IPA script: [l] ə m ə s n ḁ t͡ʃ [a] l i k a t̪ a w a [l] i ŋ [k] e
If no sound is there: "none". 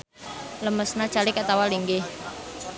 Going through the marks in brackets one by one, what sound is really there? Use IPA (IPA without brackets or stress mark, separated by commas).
l, a, l, ɡ